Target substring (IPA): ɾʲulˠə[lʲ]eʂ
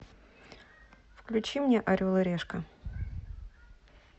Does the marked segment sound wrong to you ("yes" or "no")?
yes